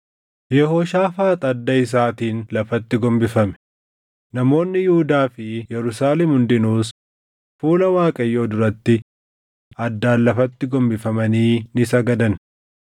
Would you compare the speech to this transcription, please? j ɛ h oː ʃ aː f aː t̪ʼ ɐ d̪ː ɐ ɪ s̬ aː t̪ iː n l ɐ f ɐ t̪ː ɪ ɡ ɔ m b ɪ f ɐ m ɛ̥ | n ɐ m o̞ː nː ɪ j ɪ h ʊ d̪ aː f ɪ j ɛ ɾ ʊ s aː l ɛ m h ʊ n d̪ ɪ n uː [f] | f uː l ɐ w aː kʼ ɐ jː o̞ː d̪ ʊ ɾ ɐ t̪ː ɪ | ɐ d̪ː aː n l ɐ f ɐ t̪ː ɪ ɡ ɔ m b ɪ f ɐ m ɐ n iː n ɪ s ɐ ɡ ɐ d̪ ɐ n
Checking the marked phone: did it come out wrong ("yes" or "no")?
yes